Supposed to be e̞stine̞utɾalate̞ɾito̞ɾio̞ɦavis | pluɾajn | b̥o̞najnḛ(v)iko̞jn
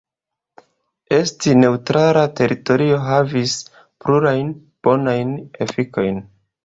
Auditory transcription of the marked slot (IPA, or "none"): f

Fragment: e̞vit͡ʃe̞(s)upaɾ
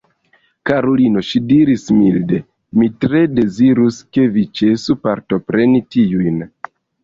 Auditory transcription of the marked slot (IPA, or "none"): s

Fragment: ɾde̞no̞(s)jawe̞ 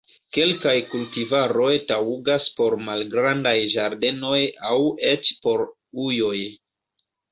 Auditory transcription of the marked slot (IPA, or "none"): none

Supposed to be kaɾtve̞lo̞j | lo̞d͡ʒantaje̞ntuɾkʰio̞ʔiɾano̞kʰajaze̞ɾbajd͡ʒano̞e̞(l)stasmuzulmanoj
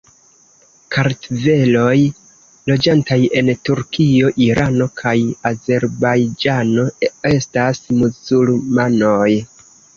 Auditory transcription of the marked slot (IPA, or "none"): none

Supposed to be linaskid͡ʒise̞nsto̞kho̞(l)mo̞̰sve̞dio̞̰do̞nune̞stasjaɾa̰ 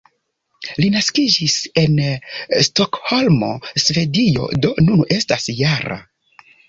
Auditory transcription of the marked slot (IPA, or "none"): l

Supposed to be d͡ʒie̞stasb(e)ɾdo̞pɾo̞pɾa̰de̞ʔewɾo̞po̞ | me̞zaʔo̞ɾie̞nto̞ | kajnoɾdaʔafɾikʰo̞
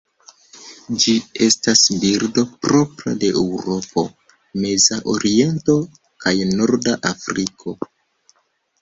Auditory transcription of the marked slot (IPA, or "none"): i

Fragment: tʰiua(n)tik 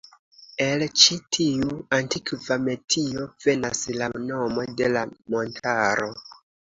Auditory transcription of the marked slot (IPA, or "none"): n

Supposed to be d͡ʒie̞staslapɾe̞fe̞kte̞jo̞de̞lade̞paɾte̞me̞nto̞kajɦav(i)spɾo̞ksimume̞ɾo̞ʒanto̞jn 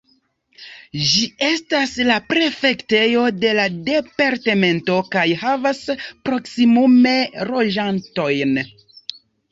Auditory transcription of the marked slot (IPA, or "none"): a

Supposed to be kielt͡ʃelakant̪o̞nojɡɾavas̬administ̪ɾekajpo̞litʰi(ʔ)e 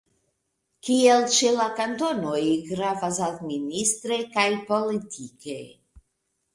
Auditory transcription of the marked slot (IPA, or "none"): k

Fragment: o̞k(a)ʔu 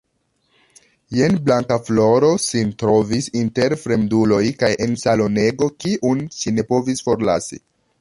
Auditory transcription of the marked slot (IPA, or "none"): i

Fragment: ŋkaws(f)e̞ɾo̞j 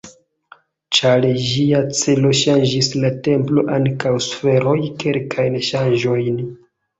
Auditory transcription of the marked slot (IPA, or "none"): f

